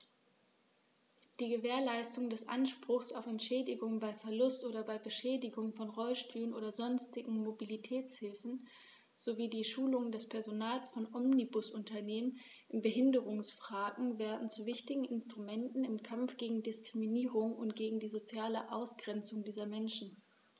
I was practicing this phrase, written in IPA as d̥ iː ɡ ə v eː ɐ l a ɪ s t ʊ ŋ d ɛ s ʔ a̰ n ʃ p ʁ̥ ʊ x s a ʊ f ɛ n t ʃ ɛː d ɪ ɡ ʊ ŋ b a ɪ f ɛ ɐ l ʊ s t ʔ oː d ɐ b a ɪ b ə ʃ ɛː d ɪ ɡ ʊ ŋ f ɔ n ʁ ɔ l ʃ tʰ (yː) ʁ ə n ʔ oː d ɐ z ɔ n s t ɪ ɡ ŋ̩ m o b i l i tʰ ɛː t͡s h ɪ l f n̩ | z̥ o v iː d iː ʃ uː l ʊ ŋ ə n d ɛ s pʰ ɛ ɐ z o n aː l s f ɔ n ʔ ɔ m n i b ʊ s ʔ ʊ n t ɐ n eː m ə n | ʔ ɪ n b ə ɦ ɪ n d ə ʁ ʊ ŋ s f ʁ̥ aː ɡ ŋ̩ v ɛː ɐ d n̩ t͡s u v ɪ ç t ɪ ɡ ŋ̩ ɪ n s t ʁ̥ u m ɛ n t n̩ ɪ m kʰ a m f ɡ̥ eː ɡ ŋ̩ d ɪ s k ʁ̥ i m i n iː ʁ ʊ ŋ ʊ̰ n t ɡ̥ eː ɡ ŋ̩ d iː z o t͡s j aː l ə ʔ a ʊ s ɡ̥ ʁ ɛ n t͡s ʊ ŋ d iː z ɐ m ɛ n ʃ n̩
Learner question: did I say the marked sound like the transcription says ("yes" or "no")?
yes